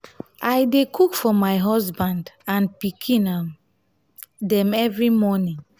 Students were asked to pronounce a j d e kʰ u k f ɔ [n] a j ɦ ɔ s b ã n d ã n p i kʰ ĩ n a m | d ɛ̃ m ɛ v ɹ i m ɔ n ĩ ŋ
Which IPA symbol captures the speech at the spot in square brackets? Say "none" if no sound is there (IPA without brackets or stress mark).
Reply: m